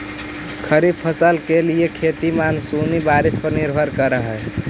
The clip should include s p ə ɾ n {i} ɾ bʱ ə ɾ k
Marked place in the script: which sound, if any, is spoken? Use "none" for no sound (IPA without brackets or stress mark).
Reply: i